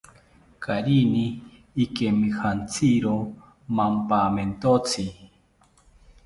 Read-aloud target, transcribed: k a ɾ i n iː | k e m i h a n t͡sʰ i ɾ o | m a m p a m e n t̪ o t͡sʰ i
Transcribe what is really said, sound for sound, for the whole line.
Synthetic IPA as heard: k a ɾ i n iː | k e m i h a n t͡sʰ i ɾ o | m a m p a m e n t̪ o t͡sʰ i